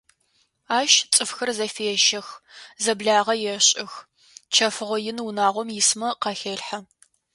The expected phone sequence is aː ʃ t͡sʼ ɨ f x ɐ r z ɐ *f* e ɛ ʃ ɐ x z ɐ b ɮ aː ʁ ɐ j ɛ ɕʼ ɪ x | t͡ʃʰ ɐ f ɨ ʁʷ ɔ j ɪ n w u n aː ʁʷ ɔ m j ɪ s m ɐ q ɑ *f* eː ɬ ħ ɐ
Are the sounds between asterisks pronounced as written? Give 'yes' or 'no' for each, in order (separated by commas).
yes, no